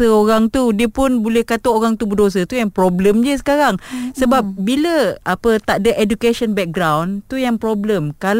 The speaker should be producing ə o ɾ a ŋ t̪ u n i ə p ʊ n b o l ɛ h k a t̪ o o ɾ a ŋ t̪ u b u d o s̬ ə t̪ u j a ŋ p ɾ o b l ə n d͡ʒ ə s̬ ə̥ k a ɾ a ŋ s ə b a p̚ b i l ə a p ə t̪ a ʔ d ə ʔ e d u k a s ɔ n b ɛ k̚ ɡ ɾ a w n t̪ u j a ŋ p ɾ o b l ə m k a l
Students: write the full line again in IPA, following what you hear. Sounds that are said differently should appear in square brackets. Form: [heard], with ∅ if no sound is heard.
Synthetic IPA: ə o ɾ a ŋ t̪ u [d] i ə p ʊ n b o l ɛ h k a t̪ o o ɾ a ŋ t̪ u b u d o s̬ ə t̪ u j a ŋ p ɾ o b l ə [m] d͡ʒ ə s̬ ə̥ k a ɾ a ŋ s ə b a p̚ b i l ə a p ə t̪ a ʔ d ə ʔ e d u k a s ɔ n b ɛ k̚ ɡ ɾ a w n t̪ u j a ŋ p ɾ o b l ə m k a l